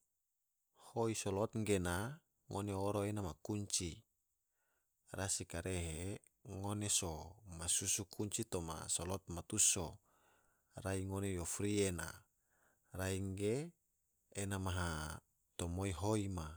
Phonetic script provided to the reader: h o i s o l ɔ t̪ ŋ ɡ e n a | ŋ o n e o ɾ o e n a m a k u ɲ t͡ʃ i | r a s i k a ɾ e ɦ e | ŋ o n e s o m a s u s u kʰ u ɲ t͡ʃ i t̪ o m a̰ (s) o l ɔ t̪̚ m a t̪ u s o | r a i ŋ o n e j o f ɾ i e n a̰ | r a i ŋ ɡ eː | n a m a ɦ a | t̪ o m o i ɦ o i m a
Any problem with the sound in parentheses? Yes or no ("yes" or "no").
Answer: no